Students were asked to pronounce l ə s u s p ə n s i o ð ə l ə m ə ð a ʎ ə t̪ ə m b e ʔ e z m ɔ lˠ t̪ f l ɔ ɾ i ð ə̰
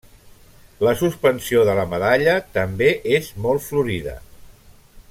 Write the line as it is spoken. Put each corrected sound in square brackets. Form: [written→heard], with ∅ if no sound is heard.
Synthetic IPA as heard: l ə s u s p ə n s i o ð ə l ə m ə ð a ʎ ə t̪ ə m b e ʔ e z m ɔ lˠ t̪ f l [ɔ→u] ɾ i ð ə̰